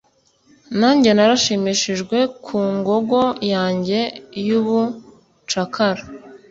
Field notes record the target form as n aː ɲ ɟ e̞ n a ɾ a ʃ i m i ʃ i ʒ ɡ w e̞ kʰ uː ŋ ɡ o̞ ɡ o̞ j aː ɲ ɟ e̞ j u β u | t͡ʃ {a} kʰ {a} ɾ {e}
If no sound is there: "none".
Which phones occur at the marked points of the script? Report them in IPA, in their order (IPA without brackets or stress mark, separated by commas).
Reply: a, a, a